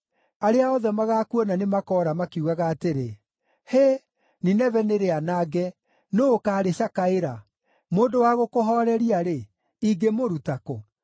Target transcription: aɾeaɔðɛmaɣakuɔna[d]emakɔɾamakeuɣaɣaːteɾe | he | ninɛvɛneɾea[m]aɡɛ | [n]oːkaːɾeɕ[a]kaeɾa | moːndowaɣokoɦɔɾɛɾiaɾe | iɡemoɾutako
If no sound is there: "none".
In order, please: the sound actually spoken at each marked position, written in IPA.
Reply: n, n, n, a

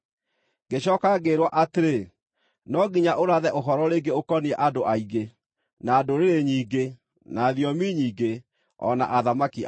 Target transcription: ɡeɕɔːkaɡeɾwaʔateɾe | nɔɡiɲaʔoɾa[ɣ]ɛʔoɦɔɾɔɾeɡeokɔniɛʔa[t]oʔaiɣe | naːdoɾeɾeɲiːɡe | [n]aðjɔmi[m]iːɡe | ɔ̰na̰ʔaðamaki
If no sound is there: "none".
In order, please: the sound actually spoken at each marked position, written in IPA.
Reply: ð, d, n, ɲ

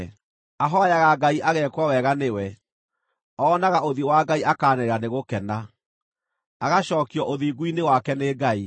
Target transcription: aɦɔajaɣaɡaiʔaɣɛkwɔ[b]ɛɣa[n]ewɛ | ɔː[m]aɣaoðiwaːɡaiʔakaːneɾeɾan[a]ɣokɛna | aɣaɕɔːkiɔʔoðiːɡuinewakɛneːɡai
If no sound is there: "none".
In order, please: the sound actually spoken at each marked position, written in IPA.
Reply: w, n, n, e

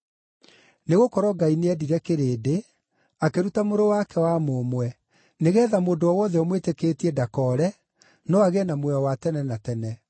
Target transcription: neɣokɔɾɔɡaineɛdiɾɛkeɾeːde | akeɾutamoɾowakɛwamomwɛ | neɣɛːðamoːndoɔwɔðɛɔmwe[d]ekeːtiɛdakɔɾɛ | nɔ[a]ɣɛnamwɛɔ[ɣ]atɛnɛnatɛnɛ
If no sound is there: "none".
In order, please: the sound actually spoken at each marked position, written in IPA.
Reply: t, a, w

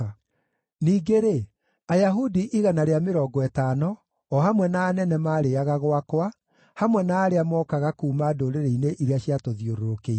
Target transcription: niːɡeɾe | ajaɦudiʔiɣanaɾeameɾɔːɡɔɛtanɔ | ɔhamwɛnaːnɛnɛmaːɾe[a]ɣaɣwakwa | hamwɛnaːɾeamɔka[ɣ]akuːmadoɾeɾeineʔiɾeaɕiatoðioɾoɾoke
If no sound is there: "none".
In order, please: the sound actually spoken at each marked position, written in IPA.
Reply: a, ɣ

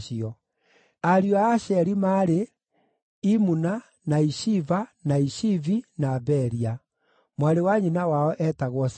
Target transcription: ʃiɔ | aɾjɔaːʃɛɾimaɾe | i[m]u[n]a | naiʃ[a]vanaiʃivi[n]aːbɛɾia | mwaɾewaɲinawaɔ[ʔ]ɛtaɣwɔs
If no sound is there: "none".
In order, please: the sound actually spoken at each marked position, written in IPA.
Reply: m, n, i, n, ʔ

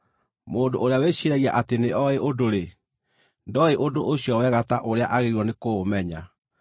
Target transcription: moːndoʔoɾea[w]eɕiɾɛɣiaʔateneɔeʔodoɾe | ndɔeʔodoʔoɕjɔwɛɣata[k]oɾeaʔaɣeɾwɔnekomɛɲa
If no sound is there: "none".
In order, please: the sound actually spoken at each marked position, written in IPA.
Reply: w, ʔ

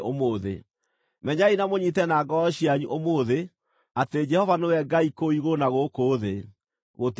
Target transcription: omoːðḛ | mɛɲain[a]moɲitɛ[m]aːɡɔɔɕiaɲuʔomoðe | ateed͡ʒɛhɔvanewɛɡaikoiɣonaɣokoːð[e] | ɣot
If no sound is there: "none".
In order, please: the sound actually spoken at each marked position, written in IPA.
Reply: a, n, e

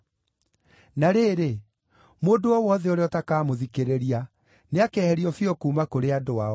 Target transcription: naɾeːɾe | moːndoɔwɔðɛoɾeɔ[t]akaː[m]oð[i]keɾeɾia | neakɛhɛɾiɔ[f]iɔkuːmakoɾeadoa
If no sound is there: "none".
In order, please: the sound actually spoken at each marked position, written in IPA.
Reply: t, m, i, f

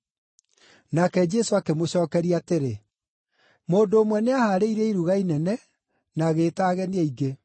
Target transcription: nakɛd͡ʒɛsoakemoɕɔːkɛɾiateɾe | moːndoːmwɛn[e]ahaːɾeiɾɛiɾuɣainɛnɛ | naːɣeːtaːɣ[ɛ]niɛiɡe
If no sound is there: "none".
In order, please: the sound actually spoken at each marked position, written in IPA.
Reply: e, ɛ

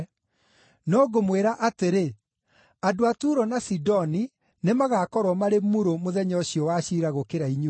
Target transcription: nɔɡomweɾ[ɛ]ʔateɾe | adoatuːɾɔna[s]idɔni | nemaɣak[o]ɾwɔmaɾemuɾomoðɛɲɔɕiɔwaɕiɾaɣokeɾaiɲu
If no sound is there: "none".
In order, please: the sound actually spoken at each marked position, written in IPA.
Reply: a, s, ɔ

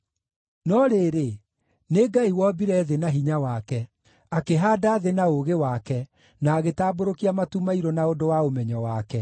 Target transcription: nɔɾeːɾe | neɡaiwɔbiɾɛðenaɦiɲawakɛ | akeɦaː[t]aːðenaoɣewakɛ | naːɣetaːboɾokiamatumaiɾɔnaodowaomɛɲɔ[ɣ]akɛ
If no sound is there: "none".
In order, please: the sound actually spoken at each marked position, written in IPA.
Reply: d, w

